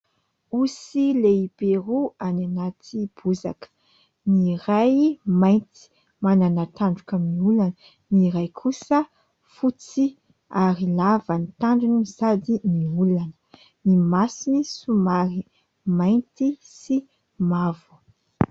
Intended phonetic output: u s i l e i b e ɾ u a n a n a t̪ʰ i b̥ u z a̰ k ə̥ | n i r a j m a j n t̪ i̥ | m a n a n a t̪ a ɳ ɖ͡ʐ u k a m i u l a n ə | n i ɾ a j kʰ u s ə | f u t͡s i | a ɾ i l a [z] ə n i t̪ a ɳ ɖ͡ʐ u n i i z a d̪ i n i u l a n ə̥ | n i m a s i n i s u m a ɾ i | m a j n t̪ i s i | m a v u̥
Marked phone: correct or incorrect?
incorrect